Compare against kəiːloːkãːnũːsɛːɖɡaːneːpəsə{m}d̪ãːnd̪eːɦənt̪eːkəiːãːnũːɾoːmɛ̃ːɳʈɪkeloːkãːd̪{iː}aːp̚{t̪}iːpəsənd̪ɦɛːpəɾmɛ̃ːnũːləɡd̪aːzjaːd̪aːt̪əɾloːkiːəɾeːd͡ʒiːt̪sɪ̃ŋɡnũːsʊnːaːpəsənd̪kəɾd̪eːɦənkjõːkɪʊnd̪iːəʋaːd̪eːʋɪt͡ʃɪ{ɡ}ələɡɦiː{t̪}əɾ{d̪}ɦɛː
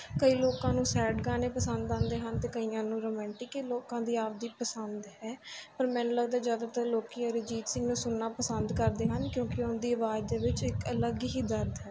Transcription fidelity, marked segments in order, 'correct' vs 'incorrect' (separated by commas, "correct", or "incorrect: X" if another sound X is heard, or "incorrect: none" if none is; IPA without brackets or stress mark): incorrect: n, correct, incorrect: d̪, incorrect: k, incorrect: d̪, correct